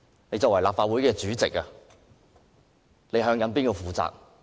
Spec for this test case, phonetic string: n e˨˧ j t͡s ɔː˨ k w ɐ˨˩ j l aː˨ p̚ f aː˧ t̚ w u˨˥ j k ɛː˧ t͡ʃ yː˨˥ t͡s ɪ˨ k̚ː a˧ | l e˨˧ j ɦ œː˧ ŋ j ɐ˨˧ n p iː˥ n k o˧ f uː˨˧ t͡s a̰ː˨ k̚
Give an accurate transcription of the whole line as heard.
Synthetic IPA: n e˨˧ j t͡s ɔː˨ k w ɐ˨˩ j l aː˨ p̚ f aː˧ t̚ w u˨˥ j k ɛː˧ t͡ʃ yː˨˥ t͡s ɪ˨ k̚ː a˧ | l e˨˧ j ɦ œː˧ ŋ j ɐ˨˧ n p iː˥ n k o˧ f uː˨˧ t͡s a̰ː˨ k̚